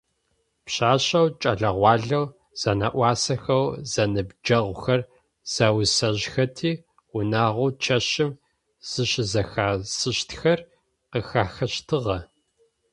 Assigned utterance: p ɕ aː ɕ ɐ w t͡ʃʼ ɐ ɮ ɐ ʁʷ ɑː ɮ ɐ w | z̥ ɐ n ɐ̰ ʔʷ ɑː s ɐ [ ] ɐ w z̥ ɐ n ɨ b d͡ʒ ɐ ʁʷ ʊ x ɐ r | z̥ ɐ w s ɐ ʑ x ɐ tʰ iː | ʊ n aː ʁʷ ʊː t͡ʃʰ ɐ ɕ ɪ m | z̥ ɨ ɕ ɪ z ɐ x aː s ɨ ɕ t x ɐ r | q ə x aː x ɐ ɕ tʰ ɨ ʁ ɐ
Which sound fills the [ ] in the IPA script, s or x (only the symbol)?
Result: x